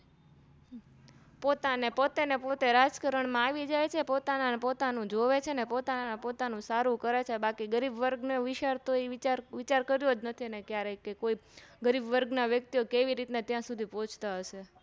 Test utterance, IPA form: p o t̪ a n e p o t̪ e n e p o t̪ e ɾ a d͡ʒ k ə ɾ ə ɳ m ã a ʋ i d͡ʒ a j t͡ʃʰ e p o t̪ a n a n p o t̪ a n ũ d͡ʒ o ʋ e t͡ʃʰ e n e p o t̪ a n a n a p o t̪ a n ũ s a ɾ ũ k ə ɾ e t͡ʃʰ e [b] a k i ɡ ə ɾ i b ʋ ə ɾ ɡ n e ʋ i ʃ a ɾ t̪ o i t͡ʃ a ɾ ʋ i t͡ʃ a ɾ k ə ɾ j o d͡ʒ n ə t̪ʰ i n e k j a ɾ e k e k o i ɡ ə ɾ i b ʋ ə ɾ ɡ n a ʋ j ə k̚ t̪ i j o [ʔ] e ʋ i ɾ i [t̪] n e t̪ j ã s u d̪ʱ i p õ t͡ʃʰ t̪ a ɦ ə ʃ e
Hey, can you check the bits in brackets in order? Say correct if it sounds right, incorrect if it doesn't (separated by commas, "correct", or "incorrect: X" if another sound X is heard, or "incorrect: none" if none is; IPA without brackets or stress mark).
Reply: correct, incorrect: k, correct